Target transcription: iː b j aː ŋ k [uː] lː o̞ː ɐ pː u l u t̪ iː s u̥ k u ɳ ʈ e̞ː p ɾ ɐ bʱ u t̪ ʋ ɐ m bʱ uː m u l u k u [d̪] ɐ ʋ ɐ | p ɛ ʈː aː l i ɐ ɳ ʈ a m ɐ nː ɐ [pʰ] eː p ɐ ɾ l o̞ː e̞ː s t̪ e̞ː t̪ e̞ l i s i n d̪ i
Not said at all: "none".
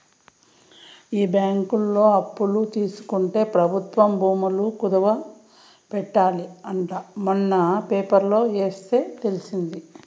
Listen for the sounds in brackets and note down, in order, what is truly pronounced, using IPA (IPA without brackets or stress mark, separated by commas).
u, d̪, p